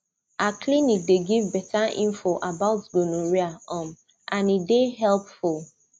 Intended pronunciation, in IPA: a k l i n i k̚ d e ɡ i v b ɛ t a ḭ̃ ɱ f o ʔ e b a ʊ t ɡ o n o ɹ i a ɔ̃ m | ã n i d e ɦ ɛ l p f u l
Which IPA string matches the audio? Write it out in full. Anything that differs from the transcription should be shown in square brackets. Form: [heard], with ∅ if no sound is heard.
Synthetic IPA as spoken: a k l i n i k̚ d e ɡ i v b ɛ t a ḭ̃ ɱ f o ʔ [a] b a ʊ t ɡ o n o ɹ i a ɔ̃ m | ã n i d e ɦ ɛ l p f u l